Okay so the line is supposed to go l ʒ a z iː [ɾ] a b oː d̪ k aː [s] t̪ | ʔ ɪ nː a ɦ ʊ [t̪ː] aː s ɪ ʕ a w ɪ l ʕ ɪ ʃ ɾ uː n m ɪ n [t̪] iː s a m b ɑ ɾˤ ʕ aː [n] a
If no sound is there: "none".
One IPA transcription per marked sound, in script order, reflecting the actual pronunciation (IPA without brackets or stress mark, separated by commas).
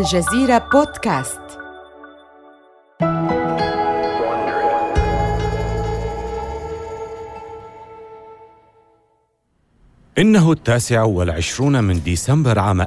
ɾ, s, t̪ː, d̪, m